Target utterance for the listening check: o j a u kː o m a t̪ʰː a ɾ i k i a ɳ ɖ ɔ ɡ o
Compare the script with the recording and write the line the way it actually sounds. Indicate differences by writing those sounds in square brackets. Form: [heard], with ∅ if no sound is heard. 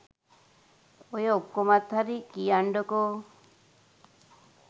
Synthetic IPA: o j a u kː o m a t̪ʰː a ɾ i k i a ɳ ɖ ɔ [k] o